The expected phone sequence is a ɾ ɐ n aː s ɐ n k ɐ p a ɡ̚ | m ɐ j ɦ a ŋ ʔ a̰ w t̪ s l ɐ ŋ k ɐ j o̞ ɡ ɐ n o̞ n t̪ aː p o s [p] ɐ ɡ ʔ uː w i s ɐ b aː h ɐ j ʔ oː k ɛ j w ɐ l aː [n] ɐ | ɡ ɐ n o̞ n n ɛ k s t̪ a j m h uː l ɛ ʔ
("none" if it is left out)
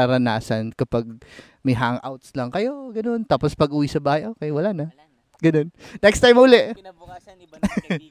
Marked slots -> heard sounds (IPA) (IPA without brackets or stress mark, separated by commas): p, n